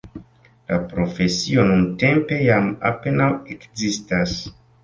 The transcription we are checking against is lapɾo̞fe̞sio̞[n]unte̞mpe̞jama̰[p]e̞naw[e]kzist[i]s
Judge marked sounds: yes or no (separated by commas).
yes, yes, yes, no